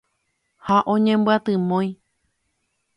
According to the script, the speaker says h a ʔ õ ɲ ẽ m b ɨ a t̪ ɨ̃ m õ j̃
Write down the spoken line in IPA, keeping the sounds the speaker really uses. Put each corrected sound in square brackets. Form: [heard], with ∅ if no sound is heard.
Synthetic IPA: h a ʔ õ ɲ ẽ m b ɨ a t̪ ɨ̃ m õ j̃